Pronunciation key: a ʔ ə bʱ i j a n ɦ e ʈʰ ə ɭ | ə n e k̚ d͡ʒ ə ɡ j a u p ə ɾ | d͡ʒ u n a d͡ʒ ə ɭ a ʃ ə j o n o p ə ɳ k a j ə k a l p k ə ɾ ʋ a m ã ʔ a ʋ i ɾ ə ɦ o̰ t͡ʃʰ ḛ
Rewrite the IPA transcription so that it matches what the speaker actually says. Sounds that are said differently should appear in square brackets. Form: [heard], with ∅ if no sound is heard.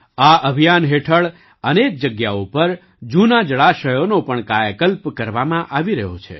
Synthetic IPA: a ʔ ə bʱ i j a n ɦ e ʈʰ ə ɭ | ə n e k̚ d͡ʒ ə ɡ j a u p ə ɾ | d͡ʒ u n a d͡ʒ ə ɭ a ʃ ə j o n o p ə ɳ k a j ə k [ə] l p k ə ɾ ʋ a m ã ʔ a ʋ i ɾ ə ɦ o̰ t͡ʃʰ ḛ